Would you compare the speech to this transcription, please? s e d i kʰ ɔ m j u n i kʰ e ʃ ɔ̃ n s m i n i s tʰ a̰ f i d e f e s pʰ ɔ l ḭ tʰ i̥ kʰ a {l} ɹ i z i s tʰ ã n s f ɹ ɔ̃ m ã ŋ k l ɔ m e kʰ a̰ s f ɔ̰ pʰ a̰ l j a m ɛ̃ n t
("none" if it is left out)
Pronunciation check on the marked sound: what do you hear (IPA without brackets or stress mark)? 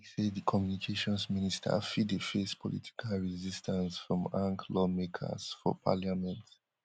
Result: l